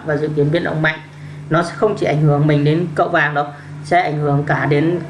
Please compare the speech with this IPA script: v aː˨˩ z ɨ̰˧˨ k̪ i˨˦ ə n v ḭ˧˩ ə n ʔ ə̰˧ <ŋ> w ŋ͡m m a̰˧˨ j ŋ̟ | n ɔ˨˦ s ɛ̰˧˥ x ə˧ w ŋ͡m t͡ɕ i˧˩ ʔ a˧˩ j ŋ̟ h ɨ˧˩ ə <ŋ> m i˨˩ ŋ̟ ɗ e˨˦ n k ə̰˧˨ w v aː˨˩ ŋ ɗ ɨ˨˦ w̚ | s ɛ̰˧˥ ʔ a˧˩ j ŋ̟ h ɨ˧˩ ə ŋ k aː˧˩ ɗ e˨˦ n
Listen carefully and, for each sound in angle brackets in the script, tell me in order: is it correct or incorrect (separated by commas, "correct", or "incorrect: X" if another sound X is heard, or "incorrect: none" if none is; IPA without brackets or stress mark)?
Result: incorrect: none, correct